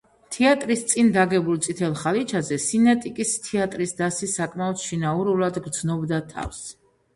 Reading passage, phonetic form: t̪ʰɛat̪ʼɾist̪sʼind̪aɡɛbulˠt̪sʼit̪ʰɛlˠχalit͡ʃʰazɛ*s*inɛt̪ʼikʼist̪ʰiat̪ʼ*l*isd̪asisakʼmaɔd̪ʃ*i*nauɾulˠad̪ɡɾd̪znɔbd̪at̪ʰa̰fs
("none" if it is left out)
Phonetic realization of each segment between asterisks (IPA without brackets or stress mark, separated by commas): s, ɾ, i